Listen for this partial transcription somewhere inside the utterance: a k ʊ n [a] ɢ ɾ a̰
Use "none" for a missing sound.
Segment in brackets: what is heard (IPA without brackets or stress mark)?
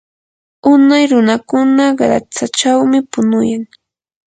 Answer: a